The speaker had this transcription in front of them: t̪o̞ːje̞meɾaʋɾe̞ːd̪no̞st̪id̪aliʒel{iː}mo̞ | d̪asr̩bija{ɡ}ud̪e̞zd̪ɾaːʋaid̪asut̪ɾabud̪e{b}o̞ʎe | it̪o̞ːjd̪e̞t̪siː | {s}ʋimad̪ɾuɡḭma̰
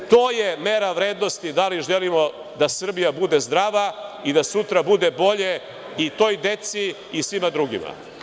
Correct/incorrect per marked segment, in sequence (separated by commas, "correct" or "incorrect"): incorrect, incorrect, correct, correct